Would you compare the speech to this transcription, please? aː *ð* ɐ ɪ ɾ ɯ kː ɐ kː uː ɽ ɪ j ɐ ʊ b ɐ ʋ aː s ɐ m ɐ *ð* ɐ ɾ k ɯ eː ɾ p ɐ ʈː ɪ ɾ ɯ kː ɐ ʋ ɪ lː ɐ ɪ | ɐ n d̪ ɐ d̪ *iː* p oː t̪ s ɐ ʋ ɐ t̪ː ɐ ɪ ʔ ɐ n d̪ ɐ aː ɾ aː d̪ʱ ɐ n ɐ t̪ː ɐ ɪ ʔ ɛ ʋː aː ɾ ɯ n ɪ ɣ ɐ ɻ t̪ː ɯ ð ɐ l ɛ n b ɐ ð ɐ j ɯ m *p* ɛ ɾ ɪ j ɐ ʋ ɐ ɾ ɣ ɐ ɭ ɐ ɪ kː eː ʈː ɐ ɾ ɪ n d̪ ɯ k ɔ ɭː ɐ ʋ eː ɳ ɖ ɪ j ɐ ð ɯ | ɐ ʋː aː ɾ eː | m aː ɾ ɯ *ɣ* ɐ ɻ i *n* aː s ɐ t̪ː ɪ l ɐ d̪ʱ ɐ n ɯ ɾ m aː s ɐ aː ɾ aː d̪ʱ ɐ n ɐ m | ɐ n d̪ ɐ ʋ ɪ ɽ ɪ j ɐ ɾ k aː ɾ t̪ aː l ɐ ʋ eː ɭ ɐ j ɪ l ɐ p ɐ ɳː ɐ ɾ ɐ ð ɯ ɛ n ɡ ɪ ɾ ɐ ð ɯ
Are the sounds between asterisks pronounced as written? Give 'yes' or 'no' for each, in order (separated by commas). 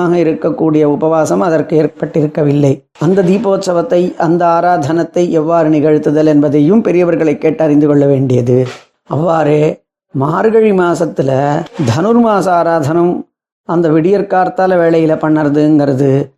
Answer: no, yes, yes, yes, yes, no